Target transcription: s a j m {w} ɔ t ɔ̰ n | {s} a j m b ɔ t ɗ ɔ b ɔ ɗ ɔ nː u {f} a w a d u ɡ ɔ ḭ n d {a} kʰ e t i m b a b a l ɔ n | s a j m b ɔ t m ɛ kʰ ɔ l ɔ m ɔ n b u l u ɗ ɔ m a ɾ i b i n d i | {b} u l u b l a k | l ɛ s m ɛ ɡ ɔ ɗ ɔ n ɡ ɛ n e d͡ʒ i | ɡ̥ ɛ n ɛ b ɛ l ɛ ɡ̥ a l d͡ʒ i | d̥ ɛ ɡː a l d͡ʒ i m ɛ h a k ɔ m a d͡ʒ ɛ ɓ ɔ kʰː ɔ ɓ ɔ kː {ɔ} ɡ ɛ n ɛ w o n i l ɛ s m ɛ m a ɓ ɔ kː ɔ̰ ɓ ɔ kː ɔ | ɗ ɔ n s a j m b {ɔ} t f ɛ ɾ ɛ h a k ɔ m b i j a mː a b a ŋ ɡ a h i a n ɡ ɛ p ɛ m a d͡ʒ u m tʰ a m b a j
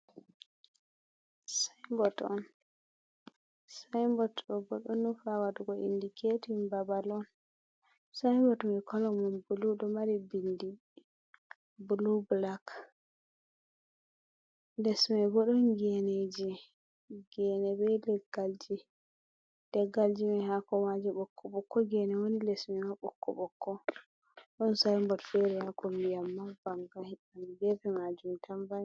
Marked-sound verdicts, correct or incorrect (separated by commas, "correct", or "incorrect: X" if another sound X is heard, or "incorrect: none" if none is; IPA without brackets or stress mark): incorrect: b, correct, correct, incorrect: i, correct, correct, correct